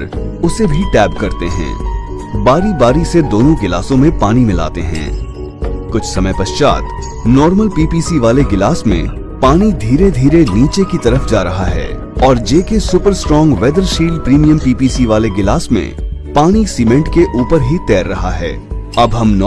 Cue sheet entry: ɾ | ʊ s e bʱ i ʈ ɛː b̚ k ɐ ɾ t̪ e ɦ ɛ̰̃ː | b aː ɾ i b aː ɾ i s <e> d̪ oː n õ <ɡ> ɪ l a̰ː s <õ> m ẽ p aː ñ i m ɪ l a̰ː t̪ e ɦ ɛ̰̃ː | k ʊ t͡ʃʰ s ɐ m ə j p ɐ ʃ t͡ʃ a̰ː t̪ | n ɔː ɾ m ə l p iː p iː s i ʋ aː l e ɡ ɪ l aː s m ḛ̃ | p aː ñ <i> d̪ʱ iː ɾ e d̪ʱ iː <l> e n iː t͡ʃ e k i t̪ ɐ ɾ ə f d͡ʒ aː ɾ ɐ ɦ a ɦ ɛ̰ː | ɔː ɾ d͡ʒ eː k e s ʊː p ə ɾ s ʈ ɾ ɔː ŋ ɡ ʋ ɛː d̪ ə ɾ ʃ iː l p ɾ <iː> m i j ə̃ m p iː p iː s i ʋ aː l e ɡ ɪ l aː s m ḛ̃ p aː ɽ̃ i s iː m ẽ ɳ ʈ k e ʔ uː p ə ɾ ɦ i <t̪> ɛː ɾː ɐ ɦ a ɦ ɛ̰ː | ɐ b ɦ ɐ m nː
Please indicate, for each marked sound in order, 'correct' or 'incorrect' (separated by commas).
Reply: correct, correct, correct, correct, incorrect, correct, correct